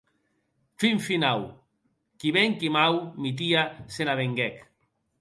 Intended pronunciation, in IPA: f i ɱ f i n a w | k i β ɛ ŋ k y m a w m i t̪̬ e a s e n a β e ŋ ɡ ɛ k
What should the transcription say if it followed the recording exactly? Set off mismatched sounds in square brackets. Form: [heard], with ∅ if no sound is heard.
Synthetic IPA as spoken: f i ɱ f i n a w | k i β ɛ ŋ k [i] m a w m i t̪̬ [i] a s e n a β e ŋ ɡ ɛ k

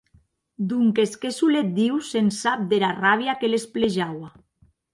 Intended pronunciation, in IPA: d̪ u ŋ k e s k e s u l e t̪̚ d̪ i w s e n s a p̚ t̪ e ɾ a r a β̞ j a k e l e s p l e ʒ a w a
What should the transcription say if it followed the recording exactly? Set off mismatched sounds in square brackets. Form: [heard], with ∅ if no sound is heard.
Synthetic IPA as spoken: d̪ u ŋ k e s k e s u l e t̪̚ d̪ i w s e n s a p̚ [d̪] e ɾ a r a β̞ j a k e l e s p l e ʒ a w a

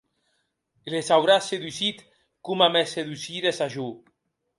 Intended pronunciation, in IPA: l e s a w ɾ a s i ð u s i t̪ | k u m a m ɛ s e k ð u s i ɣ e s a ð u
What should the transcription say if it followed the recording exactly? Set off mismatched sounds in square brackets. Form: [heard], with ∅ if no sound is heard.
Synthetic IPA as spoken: l e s a w ɾ a s [e] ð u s i t̪ | k u m a m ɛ s e [∅] ð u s i [ð] e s a [ʒ] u

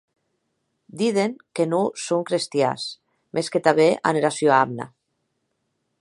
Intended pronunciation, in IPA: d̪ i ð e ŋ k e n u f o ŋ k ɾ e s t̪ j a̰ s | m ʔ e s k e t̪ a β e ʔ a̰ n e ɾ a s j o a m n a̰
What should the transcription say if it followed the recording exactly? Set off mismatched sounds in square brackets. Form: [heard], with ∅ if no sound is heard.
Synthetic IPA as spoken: d̪ i ð e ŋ k e n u [s] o ŋ k ɾ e s t̪ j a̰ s | m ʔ e s k e t̪ a β e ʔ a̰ n e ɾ a s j o a m n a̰

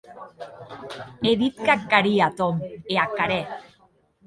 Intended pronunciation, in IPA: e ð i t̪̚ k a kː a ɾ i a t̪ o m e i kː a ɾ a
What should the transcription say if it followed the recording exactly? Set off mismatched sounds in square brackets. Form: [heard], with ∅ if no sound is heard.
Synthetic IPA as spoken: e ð i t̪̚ k a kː a ɾ i a t̪ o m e [a] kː a ɾ [e]

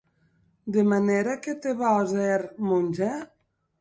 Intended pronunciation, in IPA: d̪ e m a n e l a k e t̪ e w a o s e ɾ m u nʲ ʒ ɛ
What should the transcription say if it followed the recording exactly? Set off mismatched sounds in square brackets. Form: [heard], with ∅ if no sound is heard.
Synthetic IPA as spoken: d̪ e m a n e [ɾ] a k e t̪ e [β] a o [z] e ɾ m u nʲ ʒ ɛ

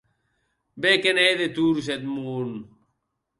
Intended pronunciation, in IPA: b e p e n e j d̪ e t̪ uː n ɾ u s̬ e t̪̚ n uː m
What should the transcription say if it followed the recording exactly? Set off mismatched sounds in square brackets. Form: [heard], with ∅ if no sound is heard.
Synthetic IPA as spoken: b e [k] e n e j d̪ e t̪ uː [∅] ɾ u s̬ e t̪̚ [m] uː [n]

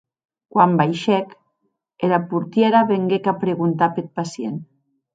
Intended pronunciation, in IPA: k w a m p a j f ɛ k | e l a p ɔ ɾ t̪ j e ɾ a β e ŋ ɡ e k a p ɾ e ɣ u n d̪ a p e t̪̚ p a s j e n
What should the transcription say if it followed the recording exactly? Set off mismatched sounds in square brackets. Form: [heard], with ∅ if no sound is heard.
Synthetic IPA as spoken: k w a m [b] a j [ʃ] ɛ k | e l a p [u] ɾ t̪ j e ɾ a β e ŋ ɡ e k a p ɾ e ɣ u n [t̪] a p e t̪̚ p a s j e n

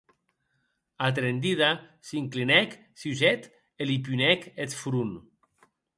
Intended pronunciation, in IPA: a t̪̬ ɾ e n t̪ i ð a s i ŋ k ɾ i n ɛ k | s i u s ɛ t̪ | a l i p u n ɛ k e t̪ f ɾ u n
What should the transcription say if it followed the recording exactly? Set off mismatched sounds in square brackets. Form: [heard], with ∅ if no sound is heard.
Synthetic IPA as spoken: a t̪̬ ɾ e n [d̪] i ð a s i ŋ k [l] i n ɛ k | s i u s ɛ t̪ | [e] l i p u n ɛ k e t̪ f ɾ u n

